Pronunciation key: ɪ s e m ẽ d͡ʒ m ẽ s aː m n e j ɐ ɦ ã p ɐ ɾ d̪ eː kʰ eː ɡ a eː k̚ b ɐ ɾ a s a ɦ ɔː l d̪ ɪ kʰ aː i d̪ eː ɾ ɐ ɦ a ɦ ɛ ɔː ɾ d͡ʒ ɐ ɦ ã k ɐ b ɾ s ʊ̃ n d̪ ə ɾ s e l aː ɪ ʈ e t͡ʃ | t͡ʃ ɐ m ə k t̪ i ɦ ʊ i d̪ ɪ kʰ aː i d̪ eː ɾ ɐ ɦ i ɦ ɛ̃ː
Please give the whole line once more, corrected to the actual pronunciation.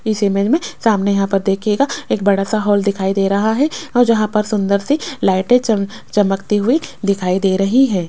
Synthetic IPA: ɪ s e m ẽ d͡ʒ m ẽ s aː m n e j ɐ ɦ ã p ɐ ɾ d̪ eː kʰ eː ɡ a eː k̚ b ɐ ɽ a s a ɦ ɔː l d̪ ɪ kʰ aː i d̪ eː ɾ ɐ ɦ a ɦ ɛ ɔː ɾ d͡ʒ ɐ ɦ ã p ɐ ɾ s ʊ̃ n d̪ ə ɾ s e l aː ɪ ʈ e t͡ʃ | t͡ʃ ɐ m ə k t̪ i ɦ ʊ i d̪ ɪ kʰ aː i d̪ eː ɾ ɐ ɦ i ɦ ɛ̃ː

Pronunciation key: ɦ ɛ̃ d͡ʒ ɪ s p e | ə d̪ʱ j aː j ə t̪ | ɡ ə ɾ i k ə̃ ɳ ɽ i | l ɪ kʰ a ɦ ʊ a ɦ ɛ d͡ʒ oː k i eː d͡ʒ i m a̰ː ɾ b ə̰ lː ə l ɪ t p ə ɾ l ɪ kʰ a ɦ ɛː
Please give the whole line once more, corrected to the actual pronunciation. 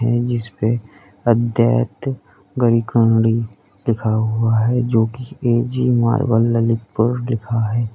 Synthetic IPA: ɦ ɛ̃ d͡ʒ ɪ s p e | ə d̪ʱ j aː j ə t̪ | ɡ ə ɾ i k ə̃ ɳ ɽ i | l ɪ kʰ a ɦ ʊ a ɦ ɛ d͡ʒ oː k i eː d͡ʒ i m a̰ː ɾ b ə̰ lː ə l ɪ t p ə ɾ l ɪ kʰ a ɦ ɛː

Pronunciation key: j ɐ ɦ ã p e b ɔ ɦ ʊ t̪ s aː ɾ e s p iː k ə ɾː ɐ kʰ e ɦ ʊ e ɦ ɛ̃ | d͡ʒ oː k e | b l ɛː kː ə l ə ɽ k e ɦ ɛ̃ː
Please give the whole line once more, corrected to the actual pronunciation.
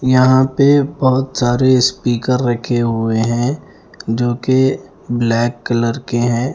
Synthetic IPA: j ɐ ɦ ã p e b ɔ ɦ ʊ t̪ s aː ɾ e s p iː k ə ɾː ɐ kʰ e ɦ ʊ e ɦ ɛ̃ | d͡ʒ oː k e | b l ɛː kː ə l ə ɾ k e ɦ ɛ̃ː

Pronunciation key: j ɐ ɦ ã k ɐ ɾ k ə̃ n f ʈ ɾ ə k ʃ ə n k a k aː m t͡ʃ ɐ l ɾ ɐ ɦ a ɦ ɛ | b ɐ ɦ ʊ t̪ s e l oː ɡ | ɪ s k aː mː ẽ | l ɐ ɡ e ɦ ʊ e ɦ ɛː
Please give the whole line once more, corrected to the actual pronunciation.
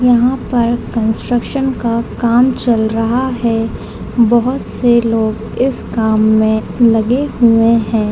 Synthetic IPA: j ɐ ɦ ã p ɐ ɾ k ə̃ n s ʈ ɾ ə k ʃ ə n k a k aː m t͡ʃ ɐ l ɾ ɐ ɦ a ɦ ɛ | b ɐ ɦ ʊ t̪ s e l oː ɡ | ɪ s k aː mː ẽ | l ɐ ɡ e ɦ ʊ e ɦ ɛ̃ː

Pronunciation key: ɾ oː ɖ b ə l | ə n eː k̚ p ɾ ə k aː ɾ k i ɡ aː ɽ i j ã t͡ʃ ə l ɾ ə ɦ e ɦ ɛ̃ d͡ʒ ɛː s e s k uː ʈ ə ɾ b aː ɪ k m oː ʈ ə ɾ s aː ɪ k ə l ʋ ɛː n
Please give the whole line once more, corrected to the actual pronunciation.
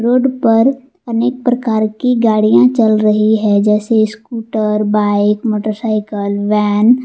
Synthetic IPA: ɾ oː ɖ p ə ɾ | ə n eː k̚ p ɾ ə k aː ɾ k i ɡ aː ɽ i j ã t͡ʃ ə l ɾ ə ɦ i ɦ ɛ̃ d͡ʒ ɛː s e s k uː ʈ ə ɾ b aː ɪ k m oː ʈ ə ɾ s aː ɪ k ə l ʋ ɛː n

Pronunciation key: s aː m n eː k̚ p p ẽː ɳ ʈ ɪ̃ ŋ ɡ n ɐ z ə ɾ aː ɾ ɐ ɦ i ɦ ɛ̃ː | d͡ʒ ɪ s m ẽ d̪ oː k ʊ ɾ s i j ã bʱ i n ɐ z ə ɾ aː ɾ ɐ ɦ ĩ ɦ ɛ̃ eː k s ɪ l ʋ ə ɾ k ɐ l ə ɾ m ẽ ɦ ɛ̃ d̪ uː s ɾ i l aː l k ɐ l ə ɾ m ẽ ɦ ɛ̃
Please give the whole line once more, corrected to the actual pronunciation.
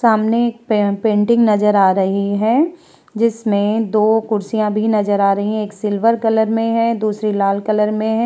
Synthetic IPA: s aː m n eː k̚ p p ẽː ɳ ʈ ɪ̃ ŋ ɡ n ɐ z ə ɾ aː ɾ ɐ ɦ i ɦ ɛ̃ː | d͡ʒ ɪ s m ẽ d̪ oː k ʊ ɾ s i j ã bʱ i n ɐ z ə ɾ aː ɾ ɐ ɦ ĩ ɦ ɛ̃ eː k s ɪ l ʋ ə ɾ k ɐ l ə ɾ m ẽ ɦ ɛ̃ d̪ uː s ɾ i l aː l k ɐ l ə ɾ m ẽ ɦ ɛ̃

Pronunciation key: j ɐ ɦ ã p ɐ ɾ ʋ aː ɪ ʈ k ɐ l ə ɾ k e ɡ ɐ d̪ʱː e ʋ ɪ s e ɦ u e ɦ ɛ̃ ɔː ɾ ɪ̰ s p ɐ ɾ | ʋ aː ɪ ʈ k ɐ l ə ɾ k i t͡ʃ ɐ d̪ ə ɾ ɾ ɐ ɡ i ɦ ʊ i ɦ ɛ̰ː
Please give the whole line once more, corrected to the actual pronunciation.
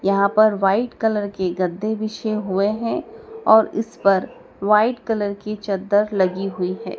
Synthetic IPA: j ɐ ɦ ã p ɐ ɾ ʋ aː ɪ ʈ k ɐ l ə ɾ k e ɡ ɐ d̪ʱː e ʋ ɪ ʃ e ɦ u e ɦ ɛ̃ ɔː ɾ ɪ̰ s p ɐ ɾ | ʋ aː ɪ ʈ k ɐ l ə ɾ k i t͡ʃ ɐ d̪ ə ɾ l ɐ ɡ i ɦ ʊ i ɦ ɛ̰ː

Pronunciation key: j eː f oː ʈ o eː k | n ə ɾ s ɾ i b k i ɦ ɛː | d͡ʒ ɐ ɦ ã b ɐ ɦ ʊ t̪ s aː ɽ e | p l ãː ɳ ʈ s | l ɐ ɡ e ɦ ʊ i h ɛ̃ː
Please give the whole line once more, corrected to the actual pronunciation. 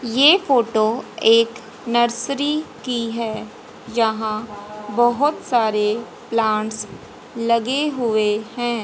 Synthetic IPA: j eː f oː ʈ o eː k | n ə ɾ s ɾ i k i ɦ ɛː | d͡ʒ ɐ ɦ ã b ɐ ɦ ʊ t̪ s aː ɾ e | p l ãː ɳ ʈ s | l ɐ ɡ e ɦ ʊ e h ɛ̃ː

